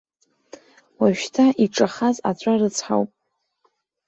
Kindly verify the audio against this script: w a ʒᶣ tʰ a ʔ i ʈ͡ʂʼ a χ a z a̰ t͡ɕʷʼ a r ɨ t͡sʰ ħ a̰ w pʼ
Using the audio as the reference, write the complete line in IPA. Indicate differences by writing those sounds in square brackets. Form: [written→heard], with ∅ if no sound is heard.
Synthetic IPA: w a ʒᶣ tʰ a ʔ i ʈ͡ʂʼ a χ a z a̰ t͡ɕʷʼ a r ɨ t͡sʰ ħ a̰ w pʼ